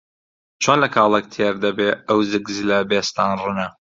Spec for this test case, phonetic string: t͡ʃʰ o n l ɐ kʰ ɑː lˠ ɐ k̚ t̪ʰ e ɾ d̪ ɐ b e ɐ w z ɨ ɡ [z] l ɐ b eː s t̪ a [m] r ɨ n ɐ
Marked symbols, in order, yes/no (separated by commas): yes, no